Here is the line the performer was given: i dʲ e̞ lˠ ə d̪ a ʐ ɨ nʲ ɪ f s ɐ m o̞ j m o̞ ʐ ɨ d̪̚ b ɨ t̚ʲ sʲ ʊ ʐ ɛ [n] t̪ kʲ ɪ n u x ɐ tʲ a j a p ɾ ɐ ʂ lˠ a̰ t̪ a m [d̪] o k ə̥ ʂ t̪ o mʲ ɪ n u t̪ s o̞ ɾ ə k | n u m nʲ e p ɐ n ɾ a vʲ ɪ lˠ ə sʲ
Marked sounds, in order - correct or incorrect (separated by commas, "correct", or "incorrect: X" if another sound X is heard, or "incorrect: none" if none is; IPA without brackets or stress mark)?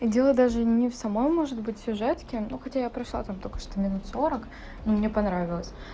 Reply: incorrect: none, incorrect: t̪